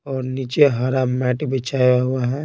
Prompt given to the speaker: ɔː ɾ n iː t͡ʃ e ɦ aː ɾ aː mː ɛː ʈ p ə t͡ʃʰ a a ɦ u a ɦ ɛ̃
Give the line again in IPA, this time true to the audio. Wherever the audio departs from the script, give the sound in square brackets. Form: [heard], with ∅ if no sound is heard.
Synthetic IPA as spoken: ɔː ɾ n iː t͡ʃ e ɦ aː ɾ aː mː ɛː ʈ [b] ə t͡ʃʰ a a ɦ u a ɦ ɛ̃